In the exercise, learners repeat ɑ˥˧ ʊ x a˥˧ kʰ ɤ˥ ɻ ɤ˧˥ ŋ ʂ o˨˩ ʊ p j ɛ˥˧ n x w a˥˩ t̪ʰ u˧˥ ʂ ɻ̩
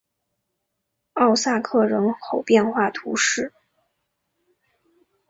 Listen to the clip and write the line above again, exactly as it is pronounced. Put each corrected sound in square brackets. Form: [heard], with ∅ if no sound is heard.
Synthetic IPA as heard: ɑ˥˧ ʊ [s] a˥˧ kʰ [ɤ˥˩] ɻ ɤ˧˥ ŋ [x] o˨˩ ʊ p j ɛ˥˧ n x w a˥˩ t̪ʰ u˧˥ ʂ ɻ̩